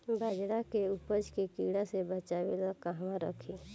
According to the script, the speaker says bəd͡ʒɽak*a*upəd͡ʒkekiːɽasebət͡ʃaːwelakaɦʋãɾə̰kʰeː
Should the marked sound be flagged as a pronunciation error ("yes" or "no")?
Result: yes